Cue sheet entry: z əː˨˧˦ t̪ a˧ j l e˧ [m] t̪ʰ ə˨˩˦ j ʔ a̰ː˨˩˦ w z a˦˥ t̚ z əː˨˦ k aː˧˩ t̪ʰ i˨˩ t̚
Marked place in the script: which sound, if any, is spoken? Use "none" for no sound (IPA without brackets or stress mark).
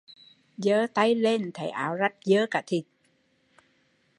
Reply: n